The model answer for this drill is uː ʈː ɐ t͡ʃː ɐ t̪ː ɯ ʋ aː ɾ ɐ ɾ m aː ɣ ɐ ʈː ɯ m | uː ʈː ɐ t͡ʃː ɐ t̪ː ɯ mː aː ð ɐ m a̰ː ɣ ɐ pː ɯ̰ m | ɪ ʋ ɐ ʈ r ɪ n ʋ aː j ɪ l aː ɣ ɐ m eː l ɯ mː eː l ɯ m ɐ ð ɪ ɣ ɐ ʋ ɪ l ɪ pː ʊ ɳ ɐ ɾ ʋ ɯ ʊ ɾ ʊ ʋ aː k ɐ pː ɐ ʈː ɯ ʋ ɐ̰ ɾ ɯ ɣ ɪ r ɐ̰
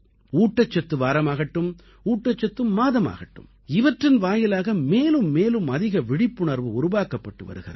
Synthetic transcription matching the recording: uː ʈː ɐ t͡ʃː ɐ t̪ː ɯ ʋ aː ɾ ɐ m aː ɣ ɐ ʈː ɯ m | uː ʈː ɐ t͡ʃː ɐ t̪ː ɯ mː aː ð ɐ m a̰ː ɣ ɐ ʈː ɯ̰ m | ɪ ʋ ɐ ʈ r ɪ n ʋ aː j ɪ l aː ɣ ɐ m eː l ɯ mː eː l ɯ m ɐ ð ɪ ɣ ɐ ʋ ɪ ɽ ɪ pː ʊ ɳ ɐ ɾ ʋ ɯ ʊ ɾ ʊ ʋ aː k ɐ pː ɐ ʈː ɯ ʋ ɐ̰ ɾ ɯ ɣ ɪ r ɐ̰